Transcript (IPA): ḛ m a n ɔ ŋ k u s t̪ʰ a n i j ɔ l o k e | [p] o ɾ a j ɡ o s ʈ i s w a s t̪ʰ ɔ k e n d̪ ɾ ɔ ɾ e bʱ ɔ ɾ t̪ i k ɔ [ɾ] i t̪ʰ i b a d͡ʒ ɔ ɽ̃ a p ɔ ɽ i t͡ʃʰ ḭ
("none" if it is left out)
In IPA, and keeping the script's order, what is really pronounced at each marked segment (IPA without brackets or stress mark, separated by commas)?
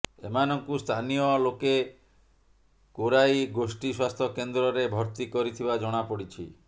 k, ɾ